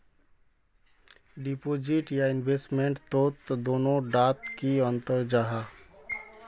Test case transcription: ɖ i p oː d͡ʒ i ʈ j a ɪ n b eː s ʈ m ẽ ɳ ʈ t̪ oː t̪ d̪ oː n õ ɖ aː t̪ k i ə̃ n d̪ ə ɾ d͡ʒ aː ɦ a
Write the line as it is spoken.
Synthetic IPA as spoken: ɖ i p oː d͡ʒ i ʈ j a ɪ n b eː s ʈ m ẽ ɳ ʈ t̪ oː t̪ d̪ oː n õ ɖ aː t̪ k i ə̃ n t̪ ə ɾ d͡ʒ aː ɦ a